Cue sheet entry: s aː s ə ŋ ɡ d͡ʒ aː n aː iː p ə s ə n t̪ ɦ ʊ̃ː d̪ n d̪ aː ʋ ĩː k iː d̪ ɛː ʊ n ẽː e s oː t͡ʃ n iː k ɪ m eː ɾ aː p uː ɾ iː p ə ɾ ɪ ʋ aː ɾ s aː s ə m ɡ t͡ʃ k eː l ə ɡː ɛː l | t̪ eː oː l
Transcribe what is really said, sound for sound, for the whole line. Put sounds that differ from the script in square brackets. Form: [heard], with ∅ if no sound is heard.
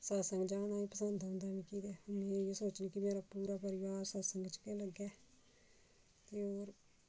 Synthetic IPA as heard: s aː s ə ŋ ɡ d͡ʒ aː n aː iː p ə s ə n [d̪] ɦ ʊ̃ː [∅] n d̪ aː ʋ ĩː k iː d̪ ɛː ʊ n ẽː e s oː t͡ʃ n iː k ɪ m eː ɾ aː p uː ɾ [aː] p ə ɾ ɪ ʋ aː ɾ s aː s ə [ŋ] ɡ t͡ʃ k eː l ə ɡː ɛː [∅] | t̪ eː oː [ɾ]